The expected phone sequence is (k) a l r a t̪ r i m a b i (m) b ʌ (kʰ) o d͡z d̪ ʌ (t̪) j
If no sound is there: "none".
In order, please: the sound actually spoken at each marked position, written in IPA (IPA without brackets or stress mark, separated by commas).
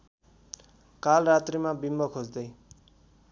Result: k, m, kʰ, none